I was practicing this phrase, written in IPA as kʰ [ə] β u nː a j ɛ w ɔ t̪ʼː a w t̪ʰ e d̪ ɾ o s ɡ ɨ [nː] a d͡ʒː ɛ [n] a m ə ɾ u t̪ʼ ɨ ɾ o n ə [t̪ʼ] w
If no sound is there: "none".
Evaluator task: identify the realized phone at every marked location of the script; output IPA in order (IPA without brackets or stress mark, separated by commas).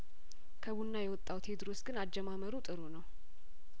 ə, n, m, none